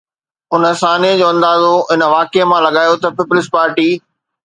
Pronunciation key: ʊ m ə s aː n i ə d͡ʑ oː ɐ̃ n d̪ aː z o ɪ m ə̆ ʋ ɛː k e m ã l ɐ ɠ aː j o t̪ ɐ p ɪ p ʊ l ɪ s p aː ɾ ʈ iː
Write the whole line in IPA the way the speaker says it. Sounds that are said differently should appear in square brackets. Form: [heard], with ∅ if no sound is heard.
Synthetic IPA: ʊ [n] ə s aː n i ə d͡ʑ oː ɐ̃ n d̪ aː z o ɪ [n] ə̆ ʋ [aː] k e m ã l ɐ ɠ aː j o t̪ ɐ p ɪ p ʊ l ɪ s p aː ɾ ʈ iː